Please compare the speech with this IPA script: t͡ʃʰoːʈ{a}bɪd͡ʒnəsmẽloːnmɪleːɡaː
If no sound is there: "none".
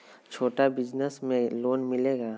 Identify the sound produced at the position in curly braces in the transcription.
a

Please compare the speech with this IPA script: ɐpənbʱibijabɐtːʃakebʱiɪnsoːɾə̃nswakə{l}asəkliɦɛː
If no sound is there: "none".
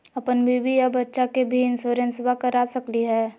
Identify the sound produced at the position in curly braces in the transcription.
ɾ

